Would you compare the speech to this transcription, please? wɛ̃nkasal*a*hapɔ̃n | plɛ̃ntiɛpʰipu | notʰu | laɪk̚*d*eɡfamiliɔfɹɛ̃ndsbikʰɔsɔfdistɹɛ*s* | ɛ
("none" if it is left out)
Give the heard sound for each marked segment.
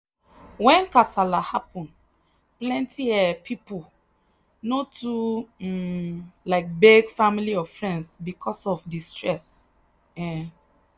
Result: a, b, s

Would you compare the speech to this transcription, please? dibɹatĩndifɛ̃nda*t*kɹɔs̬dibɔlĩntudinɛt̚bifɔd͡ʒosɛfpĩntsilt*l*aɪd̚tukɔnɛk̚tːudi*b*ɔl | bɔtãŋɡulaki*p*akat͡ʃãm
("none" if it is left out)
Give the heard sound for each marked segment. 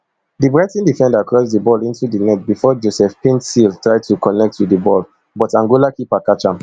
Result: none, ɹ, b, p

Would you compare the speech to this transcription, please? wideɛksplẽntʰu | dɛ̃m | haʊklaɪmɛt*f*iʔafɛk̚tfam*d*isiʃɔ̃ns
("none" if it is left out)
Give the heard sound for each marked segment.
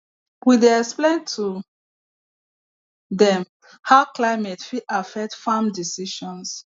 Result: f, d

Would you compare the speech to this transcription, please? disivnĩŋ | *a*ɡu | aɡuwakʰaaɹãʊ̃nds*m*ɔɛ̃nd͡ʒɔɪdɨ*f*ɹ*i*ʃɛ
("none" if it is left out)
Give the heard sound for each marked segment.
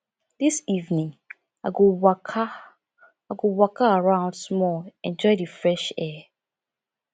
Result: a, m, f, ɛ

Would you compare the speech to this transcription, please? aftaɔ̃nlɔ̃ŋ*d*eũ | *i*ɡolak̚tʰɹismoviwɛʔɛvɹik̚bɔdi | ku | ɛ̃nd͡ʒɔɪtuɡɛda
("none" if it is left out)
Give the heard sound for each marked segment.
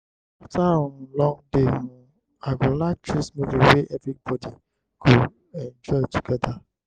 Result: d, a

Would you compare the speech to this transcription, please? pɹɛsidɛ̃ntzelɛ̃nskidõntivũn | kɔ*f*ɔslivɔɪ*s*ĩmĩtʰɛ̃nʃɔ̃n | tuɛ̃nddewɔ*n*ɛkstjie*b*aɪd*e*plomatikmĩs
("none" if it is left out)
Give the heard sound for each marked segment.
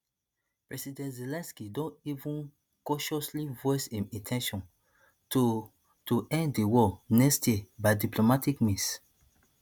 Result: ʃ, s, n, b, i

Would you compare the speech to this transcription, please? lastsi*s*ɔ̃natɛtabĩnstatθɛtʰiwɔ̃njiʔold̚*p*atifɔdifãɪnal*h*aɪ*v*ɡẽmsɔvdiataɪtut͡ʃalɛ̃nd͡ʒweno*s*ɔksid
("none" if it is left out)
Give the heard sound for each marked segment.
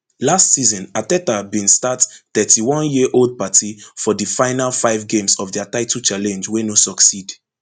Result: z, p, f, v, s

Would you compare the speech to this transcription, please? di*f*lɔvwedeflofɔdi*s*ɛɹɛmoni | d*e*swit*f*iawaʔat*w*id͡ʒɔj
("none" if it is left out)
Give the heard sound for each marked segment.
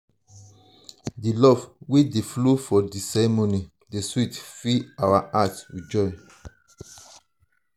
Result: none, s, e, f, w

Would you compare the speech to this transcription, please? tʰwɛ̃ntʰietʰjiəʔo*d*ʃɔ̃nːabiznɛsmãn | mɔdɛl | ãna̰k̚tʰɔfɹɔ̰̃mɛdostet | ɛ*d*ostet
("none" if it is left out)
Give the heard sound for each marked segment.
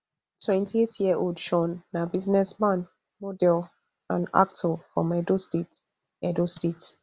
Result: d, d

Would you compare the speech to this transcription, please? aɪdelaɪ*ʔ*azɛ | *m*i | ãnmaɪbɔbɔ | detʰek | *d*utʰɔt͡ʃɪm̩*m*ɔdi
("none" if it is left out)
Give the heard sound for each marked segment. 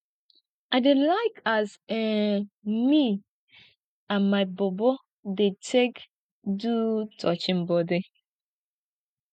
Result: k, m, d, b

